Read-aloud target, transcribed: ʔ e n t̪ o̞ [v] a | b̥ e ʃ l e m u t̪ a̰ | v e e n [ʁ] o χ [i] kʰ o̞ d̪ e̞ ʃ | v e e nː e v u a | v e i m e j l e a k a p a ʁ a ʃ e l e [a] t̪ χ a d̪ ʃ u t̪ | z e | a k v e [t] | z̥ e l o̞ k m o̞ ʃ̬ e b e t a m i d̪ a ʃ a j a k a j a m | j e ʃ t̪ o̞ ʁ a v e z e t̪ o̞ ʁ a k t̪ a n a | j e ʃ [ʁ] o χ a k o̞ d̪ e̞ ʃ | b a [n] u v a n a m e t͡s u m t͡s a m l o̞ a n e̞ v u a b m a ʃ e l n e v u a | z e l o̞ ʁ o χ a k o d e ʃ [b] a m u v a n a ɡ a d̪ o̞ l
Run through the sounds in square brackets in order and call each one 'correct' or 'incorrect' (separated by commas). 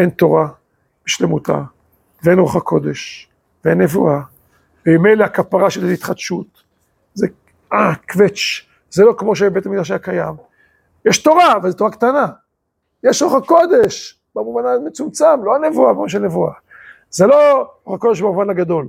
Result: incorrect, correct, incorrect, incorrect, incorrect, correct, incorrect, correct